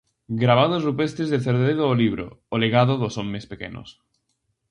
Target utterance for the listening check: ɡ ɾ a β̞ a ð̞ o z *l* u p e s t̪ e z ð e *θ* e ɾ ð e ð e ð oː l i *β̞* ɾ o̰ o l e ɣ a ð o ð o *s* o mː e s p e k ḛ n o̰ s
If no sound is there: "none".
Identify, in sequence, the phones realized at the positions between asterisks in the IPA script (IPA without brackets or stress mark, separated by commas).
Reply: r, θ, β̞, s